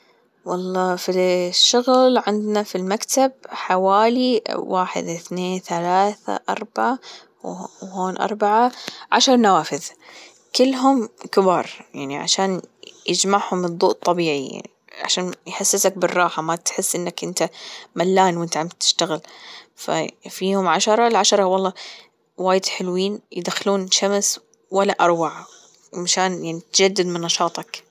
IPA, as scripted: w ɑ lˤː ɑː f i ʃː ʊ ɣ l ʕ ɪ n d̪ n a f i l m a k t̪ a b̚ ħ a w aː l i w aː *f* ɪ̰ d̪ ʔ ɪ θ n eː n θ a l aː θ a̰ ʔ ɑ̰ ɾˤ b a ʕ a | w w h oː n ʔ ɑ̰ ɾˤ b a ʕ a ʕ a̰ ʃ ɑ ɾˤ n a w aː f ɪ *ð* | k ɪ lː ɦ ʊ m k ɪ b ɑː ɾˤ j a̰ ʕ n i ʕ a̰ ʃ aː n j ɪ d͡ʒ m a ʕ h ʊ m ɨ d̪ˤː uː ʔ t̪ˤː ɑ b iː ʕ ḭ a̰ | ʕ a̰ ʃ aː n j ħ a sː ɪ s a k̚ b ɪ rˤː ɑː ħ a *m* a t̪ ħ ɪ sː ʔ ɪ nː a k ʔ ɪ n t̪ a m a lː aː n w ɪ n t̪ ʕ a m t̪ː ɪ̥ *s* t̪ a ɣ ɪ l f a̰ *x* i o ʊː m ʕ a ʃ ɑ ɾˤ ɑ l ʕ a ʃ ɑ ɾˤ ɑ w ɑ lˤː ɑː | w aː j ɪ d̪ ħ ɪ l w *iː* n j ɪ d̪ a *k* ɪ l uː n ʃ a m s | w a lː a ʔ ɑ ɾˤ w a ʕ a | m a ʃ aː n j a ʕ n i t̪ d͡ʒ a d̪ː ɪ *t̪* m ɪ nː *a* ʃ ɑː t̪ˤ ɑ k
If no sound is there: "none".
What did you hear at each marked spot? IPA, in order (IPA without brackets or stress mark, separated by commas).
ħ, ð, m, ʃ, f, iː, x, d̪, ɑ